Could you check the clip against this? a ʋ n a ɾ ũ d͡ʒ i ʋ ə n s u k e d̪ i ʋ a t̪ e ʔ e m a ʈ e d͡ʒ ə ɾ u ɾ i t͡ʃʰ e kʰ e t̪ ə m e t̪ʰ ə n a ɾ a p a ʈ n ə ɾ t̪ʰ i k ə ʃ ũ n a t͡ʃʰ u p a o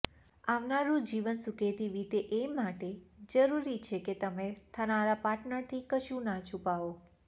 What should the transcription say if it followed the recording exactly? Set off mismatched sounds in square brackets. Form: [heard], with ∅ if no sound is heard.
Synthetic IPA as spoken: a ʋ n a ɾ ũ d͡ʒ i ʋ ə n s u k e [t̪] i ʋ [i] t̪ e ʔ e m a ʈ e d͡ʒ ə ɾ u ɾ i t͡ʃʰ e [k] e t̪ ə m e t̪ʰ ə n a ɾ a p a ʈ n ə ɾ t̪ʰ i k ə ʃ ũ n a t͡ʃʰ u p a o